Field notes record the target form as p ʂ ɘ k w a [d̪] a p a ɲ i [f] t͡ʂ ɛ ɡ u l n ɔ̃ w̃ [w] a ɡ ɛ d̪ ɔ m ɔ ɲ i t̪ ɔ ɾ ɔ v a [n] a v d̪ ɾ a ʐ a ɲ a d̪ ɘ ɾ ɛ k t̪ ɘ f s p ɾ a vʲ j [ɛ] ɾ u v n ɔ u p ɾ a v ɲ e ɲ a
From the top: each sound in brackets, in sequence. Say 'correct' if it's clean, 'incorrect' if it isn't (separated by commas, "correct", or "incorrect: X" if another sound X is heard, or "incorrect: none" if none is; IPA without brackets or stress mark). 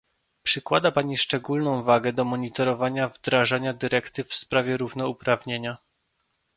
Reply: correct, incorrect: ʂ, incorrect: v, incorrect: ɲ, correct